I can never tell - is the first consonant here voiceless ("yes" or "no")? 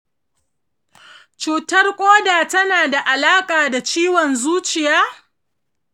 yes